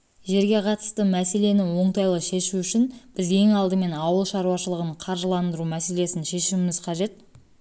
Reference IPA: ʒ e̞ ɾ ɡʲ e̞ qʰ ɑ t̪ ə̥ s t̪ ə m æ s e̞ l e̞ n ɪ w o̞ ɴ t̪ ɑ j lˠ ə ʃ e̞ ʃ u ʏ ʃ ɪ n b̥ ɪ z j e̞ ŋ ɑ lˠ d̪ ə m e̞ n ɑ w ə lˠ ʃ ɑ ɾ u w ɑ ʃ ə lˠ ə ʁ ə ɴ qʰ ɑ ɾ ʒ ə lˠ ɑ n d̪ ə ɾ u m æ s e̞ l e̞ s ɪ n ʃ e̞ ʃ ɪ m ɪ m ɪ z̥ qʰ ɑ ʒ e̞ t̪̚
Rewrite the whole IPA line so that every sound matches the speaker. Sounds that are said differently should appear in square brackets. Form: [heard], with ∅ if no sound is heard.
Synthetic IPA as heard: ʒ e̞ ɾ ɡʲ e̞ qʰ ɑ t̪ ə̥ s t̪ ə m æ s e̞ l e̞ n ɪ w o̞ ɴ t̪ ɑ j lˠ ə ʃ e̞ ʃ u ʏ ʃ ɪ n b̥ ɪ z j e̞ ŋ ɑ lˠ d̪ ə m e̞ n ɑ w ə lˠ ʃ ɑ ɾ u w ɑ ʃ ə lˠ ə ʁ ə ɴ qʰ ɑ ɾ ʒ ə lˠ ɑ n d̪ ə ɾ u m æ s e̞ l e̞ s ɪ n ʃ e̞ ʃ ɪ m ɪ m ɪ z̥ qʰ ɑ ʒ e̞ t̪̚

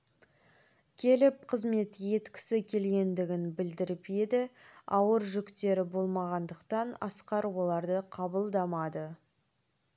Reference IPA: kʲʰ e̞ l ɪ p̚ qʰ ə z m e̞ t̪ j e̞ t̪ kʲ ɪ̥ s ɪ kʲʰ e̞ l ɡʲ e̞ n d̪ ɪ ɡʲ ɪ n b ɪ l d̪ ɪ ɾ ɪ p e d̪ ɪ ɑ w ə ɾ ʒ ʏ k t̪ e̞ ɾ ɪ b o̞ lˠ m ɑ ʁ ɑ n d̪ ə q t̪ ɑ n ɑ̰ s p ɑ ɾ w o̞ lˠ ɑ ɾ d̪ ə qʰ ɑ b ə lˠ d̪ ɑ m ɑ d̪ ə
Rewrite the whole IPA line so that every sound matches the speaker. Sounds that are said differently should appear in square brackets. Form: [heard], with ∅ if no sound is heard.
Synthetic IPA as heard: kʲʰ e̞ l ɪ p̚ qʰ ə z m e̞ t̪ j e̞ t̪ kʲ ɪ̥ s ɪ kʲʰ e̞ l ɡʲ e̞ n d̪ ɪ ɡʲ ɪ n b ɪ l d̪ ɪ ɾ ɪ p e d̪ ɪ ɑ w ə ɾ ʒ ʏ k t̪ e̞ ɾ ɪ b o̞ lˠ m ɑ ʁ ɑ n d̪ ə q t̪ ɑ n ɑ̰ s [q] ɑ ɾ w o̞ lˠ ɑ ɾ d̪ ə qʰ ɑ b ə lˠ d̪ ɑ m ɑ d̪ ə

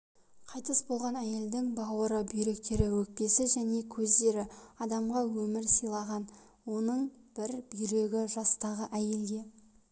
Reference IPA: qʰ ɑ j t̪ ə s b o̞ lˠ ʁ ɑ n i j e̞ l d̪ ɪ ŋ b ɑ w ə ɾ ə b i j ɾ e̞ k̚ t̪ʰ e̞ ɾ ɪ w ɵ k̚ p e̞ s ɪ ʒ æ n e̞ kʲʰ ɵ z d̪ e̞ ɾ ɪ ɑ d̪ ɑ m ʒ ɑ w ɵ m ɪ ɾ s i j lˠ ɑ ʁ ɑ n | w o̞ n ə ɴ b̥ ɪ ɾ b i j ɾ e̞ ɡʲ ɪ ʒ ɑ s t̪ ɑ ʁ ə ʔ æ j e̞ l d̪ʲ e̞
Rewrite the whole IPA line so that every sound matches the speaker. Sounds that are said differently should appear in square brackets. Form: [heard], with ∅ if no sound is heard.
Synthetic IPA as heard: qʰ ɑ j t̪ ə s b o̞ lˠ ʁ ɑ n [æ] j e̞ l d̪ ɪ ŋ b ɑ w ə ɾ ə b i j ɾ e̞ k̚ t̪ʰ e̞ ɾ ɪ w ɵ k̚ p e̞ s ɪ ʒ æ n e̞ kʲʰ ɵ z d̪ e̞ ɾ ɪ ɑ d̪ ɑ m [ʁ] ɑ w ɵ m ɪ ɾ s i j lˠ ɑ ʁ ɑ n | w o̞ n ə ɴ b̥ ɪ ɾ b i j ɾ e̞ ɡʲ ɪ ʒ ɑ s t̪ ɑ ʁ ə ʔ æ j e̞ l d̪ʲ e̞

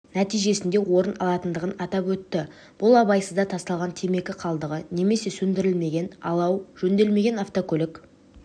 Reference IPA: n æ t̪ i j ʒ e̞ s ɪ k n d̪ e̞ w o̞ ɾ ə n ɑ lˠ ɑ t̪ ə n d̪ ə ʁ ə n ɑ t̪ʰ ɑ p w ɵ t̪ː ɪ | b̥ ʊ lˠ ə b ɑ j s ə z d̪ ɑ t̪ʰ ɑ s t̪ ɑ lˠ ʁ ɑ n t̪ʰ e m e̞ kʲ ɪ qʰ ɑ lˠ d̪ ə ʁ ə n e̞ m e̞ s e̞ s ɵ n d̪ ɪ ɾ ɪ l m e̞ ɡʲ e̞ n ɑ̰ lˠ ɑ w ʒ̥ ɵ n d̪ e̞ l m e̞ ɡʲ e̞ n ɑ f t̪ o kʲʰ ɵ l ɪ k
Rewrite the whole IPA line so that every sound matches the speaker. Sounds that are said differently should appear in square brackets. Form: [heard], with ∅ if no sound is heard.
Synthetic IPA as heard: n æ t̪ i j ʒ e̞ s ɪ [∅] n d̪ e̞ w o̞ ɾ ə n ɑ lˠ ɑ t̪ ə n d̪ ə ʁ ə n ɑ [t̪] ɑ p w ɵ t̪ː ɪ | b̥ ʊ lˠ [ɑ] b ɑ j s ə z d̪ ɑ t̪ʰ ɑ s t̪ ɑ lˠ ʁ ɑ n t̪ʰ e m e̞ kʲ ɪ qʰ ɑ lˠ d̪ ə ʁ ə n e̞ m e̞ s e̞ s ɵ n d̪ ɪ ɾ ɪ l m e̞ ɡʲ e̞ n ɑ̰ lˠ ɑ w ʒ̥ ɵ n d̪ e̞ l m e̞ ɡʲ e̞ n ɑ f t̪ o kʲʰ ɵ l ɪ k

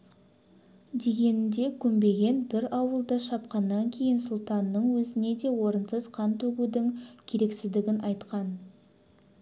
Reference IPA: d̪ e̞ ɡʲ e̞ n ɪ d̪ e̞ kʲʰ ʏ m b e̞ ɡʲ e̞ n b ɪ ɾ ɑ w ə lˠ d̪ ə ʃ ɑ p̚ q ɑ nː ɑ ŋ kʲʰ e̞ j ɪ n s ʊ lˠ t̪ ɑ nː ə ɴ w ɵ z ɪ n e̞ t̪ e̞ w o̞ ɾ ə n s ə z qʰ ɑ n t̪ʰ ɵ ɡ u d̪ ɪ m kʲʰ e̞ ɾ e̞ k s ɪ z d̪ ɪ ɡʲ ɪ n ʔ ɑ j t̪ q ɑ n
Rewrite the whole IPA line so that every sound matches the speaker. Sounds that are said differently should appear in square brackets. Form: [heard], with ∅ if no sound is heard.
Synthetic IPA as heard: d̪ e̞ ɡʲ e̞ n ɪ d̪ e̞ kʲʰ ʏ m b e̞ ɡʲ e̞ n b ɪ ɾ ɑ w ə lˠ d̪ ə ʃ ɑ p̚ q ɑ nː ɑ ŋ kʲʰ e̞ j ɪ n s ʊ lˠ t̪ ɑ nː ə ɴ w ɵ z ɪ n e̞ [d̪] e̞ w o̞ ɾ ə n s ə z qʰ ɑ n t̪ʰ ɵ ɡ u d̪ ɪ [ŋ] kʲʰ e̞ ɾ e̞ k s ɪ z d̪ ɪ ɡʲ ɪ n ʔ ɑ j t̪ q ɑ n

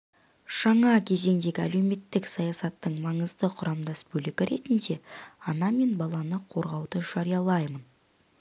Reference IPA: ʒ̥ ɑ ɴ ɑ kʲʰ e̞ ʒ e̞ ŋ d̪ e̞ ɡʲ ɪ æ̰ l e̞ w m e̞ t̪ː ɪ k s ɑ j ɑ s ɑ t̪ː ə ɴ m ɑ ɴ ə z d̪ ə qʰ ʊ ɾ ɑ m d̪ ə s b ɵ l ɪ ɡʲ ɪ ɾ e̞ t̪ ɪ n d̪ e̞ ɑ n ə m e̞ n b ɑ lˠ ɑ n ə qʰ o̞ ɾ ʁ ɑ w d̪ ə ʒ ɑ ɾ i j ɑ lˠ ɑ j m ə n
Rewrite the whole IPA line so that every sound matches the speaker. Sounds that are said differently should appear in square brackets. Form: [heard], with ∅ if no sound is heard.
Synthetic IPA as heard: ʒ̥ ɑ ɴ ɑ kʲʰ e̞ [z] e̞ ŋ d̪ e̞ ɡʲ ɪ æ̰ l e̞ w m e̞ t̪ː ɪ k s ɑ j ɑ s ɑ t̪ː ə ɴ m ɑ ɴ ə z d̪ ə qʰ ʊ ɾ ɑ m d̪ [ɑ] s b ɵ l ɪ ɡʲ ɪ ɾ e̞ t̪ ɪ n d̪ e̞ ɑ n [ɑ] m e̞ n b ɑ lˠ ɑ n ə qʰ o̞ ɾ ʁ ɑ w d̪ ə ʒ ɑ ɾ i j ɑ lˠ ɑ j m ə n

